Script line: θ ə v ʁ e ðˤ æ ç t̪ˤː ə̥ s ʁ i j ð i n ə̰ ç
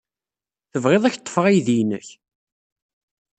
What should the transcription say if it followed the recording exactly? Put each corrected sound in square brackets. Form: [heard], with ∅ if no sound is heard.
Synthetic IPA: θ ə v ʁ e ðˤ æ ç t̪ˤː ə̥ [f] ʁ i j ð i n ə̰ ç